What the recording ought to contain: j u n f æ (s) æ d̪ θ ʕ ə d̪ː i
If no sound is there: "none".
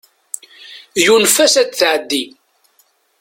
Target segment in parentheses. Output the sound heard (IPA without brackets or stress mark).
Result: s